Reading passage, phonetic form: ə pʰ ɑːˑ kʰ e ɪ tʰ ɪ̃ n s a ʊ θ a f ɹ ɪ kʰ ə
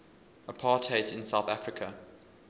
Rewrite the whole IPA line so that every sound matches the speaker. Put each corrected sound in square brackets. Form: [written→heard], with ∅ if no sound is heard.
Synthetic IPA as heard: ə pʰ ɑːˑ [kʰ→tʰ] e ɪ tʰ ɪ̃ n s a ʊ θ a f ɹ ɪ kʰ ə